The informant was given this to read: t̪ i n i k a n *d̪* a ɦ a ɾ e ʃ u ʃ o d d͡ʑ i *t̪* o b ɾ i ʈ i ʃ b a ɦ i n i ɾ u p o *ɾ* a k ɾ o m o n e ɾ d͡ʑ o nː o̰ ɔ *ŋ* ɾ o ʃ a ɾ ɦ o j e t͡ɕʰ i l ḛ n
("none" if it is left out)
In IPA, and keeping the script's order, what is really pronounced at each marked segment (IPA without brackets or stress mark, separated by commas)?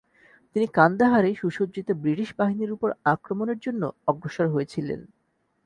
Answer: d̪, t̪, ɾ, ɡ